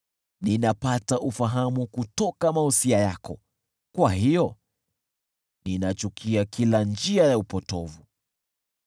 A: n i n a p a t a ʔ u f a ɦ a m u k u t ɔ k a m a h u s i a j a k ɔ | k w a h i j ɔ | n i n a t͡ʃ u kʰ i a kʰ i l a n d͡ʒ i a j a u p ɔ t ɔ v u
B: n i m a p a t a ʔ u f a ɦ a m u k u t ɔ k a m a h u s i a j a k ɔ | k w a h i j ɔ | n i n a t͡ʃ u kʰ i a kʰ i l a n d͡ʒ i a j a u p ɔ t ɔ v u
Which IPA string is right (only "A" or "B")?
A